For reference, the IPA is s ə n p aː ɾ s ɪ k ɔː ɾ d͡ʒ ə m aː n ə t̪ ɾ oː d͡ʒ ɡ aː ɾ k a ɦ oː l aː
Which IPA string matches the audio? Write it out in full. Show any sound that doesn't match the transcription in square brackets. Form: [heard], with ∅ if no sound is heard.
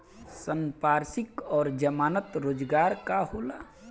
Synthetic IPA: s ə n p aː ɾ s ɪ k ɔː ɾ d͡ʒ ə m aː n ə t̪ ɾ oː d͡ʒ ɡ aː ɾ k a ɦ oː l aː